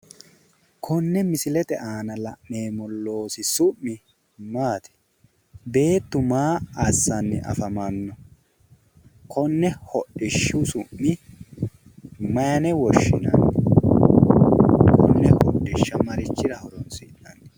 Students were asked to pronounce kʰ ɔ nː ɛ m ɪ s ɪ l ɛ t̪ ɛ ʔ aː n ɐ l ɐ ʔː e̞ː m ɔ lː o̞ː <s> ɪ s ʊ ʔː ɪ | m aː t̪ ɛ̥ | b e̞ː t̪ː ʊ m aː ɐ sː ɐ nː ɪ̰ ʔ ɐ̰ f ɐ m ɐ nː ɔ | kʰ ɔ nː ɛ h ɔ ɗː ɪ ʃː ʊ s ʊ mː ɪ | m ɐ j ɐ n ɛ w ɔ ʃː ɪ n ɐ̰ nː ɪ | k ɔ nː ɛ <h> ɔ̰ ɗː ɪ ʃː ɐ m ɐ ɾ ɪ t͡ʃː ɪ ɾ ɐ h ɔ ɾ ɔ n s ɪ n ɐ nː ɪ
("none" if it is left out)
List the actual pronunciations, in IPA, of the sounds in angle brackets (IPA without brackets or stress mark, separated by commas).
s, h